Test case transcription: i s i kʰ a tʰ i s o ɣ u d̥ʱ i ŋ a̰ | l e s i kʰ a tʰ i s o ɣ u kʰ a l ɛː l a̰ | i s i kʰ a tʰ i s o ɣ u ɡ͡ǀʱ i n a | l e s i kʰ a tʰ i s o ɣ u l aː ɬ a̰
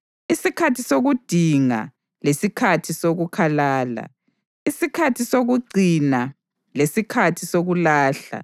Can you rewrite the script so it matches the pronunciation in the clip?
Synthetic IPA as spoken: i s i kʰ a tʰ i s o ɣ u d̥ʱ i ŋ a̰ | l e s i kʰ a tʰ i s o ɣ u kʰ a l aː l a̰ | i s i kʰ a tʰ i s o ɣ u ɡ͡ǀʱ i n a | l e s i kʰ a tʰ i s o ɣ u l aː ɬ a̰